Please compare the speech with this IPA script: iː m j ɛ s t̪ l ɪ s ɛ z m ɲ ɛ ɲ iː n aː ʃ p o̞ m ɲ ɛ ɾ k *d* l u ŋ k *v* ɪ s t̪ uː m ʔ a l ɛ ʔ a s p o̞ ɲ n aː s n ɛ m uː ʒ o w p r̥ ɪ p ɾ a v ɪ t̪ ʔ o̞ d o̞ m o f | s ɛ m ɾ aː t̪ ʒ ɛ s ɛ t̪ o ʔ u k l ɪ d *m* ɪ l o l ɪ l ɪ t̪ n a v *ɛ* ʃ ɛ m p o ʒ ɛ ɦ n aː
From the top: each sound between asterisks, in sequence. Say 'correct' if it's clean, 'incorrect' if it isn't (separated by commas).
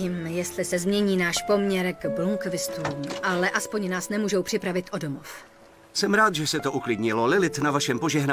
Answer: incorrect, correct, incorrect, incorrect